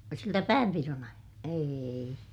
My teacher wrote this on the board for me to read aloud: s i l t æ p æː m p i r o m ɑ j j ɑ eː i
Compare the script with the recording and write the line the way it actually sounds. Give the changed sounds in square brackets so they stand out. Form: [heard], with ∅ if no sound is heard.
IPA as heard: s i l t æ p æː m p i r o [n] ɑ [i] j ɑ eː i